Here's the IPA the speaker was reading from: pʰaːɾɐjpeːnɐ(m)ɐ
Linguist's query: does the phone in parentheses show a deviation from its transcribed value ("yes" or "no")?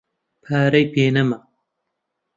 no